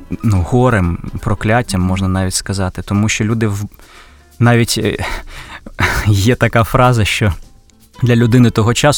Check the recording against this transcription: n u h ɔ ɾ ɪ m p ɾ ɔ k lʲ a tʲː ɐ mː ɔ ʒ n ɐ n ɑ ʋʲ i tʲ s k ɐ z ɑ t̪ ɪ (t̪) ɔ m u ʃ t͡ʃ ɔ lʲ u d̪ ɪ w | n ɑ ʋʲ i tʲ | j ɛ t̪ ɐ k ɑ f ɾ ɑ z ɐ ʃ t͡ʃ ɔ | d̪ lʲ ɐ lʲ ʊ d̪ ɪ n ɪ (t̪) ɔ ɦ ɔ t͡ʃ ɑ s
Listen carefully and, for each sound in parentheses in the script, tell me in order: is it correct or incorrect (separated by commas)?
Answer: correct, correct